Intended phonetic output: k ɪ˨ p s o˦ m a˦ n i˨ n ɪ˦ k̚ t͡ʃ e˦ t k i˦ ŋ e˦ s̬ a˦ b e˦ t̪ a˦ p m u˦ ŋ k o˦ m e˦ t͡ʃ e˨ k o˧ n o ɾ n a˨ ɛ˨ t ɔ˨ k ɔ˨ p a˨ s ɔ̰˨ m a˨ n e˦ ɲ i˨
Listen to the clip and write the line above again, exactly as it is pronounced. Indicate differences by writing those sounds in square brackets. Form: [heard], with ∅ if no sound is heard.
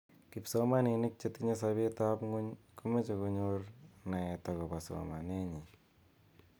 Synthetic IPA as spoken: k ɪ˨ p s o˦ m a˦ n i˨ n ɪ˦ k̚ t͡ʃ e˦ t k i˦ [ɲ] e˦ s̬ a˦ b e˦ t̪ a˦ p [ŋ] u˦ [ɲ] k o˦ m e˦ t͡ʃ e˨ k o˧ [ɲ] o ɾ n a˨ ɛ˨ t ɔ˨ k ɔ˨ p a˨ s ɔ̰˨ m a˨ n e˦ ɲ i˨